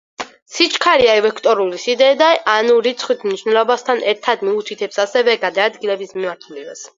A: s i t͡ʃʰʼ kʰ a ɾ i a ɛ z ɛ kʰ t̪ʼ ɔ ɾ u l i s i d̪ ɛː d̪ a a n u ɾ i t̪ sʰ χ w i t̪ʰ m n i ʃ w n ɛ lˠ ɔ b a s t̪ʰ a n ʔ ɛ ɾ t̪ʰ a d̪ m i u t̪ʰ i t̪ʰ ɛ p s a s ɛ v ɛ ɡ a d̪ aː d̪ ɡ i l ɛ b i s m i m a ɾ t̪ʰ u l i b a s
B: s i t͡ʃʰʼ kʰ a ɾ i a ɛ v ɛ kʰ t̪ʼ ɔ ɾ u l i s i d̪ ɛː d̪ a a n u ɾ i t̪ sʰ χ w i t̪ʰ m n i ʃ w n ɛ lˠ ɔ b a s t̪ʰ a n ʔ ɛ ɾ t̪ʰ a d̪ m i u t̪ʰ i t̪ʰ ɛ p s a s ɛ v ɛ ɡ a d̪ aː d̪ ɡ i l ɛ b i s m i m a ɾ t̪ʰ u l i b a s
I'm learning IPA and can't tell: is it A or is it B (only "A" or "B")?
B